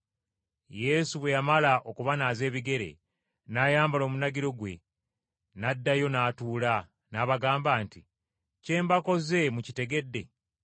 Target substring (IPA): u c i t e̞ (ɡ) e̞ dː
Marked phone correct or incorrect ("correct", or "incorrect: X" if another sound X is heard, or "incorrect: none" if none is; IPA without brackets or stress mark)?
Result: correct